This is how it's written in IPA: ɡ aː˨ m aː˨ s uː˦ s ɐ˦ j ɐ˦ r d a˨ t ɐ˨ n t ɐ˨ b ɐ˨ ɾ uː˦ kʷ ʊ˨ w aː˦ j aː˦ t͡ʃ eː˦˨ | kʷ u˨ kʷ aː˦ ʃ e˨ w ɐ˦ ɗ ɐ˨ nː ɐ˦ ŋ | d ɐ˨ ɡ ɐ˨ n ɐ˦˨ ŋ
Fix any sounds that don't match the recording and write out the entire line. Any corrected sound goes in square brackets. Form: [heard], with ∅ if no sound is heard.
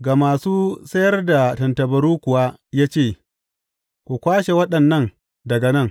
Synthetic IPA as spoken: ɡ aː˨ m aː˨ s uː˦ s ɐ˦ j ɐ˦ r d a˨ t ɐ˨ n t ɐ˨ b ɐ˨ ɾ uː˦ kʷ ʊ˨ w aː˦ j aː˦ t͡ʃ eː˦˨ | kʷ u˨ kʷ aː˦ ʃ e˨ w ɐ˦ ɗ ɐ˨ nː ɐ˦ ŋ | d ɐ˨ ɡ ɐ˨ n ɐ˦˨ ŋ